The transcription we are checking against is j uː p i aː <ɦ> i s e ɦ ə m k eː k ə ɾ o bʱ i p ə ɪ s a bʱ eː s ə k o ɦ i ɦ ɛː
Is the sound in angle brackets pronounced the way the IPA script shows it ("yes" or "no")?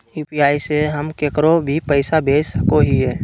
no